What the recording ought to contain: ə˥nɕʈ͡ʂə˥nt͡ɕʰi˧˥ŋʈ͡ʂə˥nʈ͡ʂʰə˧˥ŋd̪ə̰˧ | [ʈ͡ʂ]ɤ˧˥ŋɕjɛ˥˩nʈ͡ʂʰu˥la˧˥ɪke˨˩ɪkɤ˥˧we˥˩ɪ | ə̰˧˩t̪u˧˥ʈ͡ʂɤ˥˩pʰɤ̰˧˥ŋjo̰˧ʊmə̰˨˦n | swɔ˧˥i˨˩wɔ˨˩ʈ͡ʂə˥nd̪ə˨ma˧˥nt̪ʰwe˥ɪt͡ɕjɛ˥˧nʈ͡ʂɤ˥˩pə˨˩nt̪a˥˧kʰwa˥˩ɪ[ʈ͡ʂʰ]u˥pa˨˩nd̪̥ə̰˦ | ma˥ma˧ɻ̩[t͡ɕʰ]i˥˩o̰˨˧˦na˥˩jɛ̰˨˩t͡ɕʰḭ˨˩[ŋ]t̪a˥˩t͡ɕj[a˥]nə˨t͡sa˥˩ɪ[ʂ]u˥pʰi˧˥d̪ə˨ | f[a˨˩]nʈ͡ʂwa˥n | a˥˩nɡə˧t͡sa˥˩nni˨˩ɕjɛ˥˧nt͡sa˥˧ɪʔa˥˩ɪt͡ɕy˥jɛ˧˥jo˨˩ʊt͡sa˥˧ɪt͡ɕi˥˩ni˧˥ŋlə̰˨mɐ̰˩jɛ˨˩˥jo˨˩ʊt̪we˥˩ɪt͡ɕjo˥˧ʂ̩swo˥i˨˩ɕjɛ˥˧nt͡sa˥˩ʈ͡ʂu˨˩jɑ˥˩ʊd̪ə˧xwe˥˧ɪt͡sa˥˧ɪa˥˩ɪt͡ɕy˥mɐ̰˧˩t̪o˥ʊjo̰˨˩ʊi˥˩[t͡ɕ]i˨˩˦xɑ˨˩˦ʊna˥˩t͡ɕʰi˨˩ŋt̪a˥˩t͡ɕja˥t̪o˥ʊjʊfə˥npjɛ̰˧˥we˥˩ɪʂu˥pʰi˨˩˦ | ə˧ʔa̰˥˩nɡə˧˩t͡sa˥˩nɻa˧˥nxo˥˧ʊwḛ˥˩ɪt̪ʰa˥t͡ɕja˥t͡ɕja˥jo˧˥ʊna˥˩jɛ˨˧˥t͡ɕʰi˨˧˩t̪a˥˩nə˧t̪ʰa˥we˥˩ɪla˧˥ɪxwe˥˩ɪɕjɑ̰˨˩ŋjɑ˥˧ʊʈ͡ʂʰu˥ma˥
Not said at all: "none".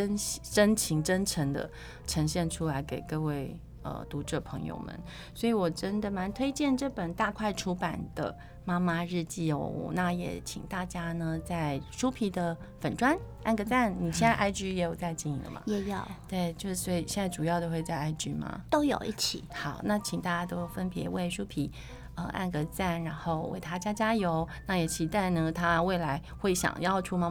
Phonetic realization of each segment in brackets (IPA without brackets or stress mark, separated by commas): ʈ͡ʂʰ, ʈ͡ʂʰ, t͡ɕ, ŋ, a˥, ʂ, ə˨˩, t͡ɕʰ